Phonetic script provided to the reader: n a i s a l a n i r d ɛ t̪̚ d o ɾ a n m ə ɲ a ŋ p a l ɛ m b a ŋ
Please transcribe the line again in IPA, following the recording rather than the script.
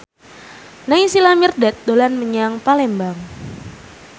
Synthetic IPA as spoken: n a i s i l a m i r d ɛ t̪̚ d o l a n m ə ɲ a ŋ p a l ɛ m b a ŋ